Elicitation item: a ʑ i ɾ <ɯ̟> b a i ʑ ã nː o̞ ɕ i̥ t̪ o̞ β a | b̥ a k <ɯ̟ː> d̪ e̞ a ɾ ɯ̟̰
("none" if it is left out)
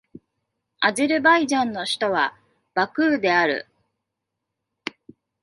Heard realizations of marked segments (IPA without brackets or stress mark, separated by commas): ɯ̟, ɯ̟ː